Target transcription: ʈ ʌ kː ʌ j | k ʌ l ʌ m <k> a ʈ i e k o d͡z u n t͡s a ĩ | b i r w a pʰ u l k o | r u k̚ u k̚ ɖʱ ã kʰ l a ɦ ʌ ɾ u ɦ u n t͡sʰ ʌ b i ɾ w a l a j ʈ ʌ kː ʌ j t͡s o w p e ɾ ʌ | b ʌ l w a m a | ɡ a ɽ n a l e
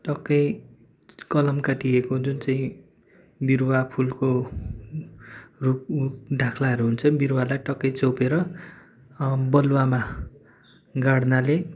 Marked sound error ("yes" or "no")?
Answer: no